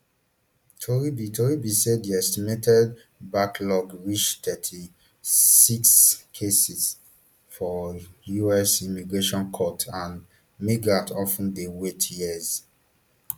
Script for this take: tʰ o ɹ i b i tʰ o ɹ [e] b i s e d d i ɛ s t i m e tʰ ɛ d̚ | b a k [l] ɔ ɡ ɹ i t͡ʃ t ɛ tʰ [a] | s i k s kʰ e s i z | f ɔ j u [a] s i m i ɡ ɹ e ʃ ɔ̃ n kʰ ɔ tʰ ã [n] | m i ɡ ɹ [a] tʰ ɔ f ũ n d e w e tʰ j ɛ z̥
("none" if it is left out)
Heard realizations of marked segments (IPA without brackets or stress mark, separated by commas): i, l, i, ɛ, n, a